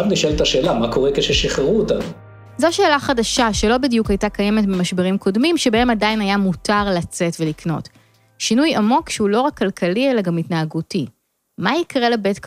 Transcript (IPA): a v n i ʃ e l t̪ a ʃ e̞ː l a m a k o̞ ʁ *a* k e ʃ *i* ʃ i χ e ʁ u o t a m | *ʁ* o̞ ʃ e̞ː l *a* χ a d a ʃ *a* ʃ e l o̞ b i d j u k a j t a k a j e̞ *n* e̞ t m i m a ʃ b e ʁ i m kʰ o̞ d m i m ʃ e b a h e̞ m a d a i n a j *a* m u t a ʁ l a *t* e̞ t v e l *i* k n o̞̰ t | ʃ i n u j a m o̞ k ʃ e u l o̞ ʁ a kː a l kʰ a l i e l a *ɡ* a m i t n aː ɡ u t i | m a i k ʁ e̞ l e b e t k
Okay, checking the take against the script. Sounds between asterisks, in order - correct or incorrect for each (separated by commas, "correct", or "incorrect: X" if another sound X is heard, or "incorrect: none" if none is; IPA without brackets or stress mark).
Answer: incorrect: e, incorrect: e, incorrect: z, correct, correct, incorrect: m, correct, incorrect: t͡s, correct, correct